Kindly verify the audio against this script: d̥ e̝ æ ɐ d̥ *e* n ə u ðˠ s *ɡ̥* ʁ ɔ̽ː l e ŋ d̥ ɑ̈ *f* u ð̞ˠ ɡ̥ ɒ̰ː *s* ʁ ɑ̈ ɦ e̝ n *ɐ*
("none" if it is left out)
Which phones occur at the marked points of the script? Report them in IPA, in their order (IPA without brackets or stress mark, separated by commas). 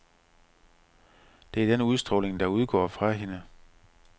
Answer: e, d̥, none, f, ə